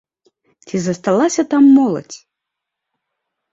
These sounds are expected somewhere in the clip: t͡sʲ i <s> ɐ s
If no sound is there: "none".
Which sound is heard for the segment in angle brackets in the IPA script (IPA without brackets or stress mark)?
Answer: z